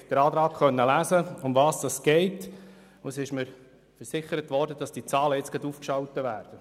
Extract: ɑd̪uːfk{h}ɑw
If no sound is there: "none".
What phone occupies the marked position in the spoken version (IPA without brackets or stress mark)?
ʃ